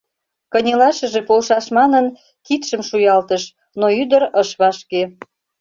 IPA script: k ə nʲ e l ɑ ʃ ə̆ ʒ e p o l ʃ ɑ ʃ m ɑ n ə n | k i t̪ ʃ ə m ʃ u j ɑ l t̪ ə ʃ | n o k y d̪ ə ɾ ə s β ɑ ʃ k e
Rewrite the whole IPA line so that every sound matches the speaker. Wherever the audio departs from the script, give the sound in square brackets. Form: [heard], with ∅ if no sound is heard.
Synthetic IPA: k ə nʲ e l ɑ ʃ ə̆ ʒ e p o l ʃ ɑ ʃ m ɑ n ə n | k i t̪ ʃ ə m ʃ u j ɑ l t̪ ə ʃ | n o [∅] y d̪ ə ɾ ə [ʃ] β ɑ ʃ k e